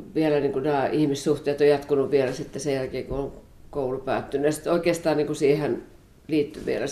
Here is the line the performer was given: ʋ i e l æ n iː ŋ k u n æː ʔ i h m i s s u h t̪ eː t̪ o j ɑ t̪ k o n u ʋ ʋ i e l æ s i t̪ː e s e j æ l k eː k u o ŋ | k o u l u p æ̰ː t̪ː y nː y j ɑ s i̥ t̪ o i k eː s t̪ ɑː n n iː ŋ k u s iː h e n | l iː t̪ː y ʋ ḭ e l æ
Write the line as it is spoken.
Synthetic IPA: ʋ i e l æ n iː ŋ k u n æː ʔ i h m i s s u h t̪ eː t̪ o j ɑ t̪ k u n u ʋ ʋ i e l æ s i t̪ː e s e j æ l k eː k u o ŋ | k o u l u p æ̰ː t̪ː y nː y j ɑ s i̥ t̪ o i k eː s t̪ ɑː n n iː ŋ k u s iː h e n | l iː t̪ː y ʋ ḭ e l æ